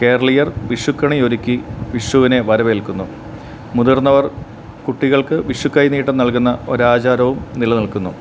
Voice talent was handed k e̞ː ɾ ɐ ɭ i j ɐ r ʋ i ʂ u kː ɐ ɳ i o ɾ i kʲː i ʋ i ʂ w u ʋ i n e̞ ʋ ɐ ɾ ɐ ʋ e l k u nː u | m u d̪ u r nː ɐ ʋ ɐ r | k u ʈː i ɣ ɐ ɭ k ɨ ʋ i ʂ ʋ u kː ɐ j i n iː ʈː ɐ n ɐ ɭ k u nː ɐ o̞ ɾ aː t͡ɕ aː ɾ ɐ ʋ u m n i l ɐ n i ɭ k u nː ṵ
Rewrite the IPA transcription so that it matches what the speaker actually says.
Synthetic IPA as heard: k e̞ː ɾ ɐ ɭ i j ɐ r ʋ i ʂ u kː ɐ ɳ i o ɾ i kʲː i ʋ i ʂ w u ʋ i n e̞ ʋ ɐ ɾ ɐ ʋ e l k u nː u | m u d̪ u r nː ɐ ʋ ɐ r | k u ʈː i ɣ ɐ ɭ k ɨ ʋ i ʂ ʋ u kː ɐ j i n iː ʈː ɐ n ɐ ɭ k u nː ɐ o̞ ɾ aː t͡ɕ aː ɾ ɐ ʋ u m n i l ɐ n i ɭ k u nː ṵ